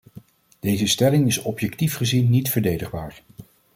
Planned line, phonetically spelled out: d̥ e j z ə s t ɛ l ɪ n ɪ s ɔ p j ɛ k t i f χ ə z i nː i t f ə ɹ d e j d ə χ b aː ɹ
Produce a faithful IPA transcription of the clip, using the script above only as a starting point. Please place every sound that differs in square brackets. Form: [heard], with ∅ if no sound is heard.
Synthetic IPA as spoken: d̥ e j z ə s t ɛ l ɪ [ŋ] ɪ s ɔ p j ɛ k t i f χ ə z i nː i t f ə ɹ d e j d ə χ b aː ɹ